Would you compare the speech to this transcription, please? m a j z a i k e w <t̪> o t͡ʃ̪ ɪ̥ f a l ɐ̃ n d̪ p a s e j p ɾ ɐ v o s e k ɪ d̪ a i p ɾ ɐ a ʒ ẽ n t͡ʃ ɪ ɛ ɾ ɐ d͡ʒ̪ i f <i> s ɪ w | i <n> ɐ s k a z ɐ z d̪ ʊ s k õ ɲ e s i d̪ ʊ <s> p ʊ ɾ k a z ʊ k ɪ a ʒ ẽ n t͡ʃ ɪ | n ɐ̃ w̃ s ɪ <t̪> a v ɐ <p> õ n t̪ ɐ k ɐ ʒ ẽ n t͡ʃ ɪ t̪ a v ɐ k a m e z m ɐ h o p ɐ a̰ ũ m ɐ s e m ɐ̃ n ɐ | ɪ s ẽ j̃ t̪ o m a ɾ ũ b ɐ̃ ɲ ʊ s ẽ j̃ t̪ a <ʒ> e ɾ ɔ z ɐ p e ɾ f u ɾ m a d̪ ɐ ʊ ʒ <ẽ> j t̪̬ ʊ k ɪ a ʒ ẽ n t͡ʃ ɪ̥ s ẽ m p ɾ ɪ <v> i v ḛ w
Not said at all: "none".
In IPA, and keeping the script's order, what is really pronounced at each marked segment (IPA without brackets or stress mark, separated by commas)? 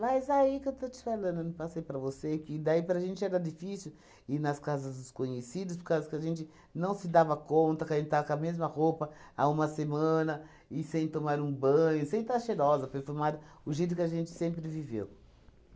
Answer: t̪, i, n, s, d̪, k, ʃ, e, v